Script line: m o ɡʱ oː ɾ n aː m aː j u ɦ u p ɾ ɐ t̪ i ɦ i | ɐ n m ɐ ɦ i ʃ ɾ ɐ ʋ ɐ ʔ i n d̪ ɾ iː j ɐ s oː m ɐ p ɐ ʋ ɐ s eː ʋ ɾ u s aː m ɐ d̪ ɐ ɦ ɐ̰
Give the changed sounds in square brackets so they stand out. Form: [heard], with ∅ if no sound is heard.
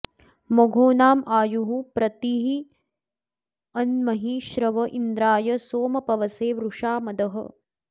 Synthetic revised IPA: m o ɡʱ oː [∅] n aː m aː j u ɦ u p ɾ ɐ t̪ i ɦ i | ɐ n m ɐ ɦ i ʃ ɾ ɐ ʋ ɐ ʔ i n d̪ ɾ [aː] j ɐ s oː m ɐ p ɐ ʋ ɐ s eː ʋ ɾ u [ʂ] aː m ɐ d̪ ɐ ɦ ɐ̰